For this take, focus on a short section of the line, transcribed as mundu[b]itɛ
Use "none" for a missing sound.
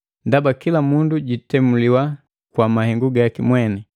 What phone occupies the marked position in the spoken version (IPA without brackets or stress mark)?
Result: ɟ